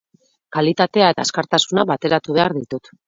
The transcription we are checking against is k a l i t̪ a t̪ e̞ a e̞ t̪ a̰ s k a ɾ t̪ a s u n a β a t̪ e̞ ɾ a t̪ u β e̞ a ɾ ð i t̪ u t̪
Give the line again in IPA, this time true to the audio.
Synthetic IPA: k a l i t̪ a t̪ e̞ a e̞ t̪ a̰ s k a ɾ t̪ a s u n a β a t̪ e̞ ɾ a t̪ u β e̞ a ɾ ð i t̪ u t̪